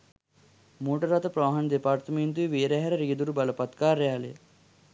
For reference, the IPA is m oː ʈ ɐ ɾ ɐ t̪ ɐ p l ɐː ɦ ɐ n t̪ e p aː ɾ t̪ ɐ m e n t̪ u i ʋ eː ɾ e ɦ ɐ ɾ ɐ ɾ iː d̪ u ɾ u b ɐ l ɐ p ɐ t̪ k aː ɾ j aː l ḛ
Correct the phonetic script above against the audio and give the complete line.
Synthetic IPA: m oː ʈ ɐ ɾ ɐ t̪ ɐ p ɾ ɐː ɦ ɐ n d̪ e p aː ɾ t̪ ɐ m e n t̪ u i ʋ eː ɾ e ɦ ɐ ɾ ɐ ɾ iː d̪ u ɾ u b ɐ l ɐ p ɐ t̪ k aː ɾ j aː l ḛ